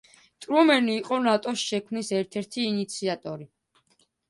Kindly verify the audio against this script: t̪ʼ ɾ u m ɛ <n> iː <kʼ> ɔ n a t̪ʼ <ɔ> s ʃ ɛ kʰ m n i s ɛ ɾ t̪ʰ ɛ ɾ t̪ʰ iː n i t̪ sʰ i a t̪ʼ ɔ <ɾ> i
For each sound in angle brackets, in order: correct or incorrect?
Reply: correct, incorrect, correct, correct

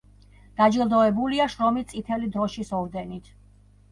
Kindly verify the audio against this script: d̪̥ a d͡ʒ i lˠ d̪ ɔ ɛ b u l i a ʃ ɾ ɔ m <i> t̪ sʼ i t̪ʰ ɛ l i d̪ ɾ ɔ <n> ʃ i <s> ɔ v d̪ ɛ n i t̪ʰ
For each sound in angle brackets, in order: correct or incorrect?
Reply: correct, incorrect, correct

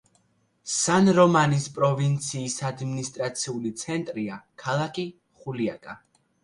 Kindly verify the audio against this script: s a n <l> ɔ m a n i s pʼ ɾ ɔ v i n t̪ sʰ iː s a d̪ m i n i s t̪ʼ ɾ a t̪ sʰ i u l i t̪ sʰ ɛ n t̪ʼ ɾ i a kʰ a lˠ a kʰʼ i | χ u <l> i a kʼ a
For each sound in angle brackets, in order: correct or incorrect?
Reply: incorrect, correct

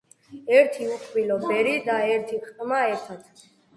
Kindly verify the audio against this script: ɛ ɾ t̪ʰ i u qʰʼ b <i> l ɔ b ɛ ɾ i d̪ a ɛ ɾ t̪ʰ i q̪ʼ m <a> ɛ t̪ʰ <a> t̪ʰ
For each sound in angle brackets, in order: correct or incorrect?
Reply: correct, correct, correct

